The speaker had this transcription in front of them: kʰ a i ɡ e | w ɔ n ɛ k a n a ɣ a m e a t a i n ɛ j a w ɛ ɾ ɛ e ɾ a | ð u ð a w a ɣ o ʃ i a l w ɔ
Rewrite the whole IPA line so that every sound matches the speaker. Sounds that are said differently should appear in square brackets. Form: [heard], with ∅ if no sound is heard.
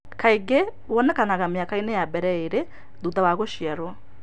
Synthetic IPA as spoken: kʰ a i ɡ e | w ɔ n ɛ k a n a ɣ a m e a [k] a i n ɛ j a [b] ɛ ɾ ɛ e ɾ [e] | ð u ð a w a ɣ o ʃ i a [ɾ] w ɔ